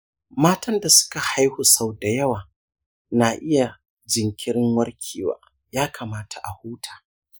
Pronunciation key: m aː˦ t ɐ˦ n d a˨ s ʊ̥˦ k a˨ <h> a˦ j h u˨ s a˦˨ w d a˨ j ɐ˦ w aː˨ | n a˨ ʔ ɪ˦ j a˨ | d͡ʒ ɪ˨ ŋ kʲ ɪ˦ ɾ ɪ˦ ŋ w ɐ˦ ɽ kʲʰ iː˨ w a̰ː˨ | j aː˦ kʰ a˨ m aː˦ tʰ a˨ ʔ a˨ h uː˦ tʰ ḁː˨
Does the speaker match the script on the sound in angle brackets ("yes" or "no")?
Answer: yes